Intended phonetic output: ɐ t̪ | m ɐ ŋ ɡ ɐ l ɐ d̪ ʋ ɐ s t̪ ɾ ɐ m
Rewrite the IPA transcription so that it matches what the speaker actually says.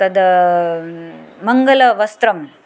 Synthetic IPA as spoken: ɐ d̪ | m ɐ ŋ ɡ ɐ l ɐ ʋ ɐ s t̪ ɾ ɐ m